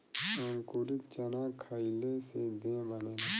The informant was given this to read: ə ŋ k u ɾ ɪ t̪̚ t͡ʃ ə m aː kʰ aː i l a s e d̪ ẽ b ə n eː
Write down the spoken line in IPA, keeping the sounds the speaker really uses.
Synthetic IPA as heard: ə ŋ k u ɾ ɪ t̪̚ t͡ʃ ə n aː kʰ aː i l e s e d̪ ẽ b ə n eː